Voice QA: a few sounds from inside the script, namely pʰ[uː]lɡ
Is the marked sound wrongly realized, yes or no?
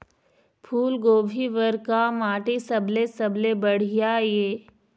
no